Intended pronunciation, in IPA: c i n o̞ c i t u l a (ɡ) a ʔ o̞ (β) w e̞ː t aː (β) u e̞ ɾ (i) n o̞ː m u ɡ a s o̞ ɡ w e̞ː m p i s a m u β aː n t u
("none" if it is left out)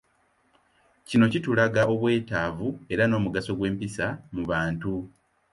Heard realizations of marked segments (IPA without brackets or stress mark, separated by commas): ɡ, β, v, a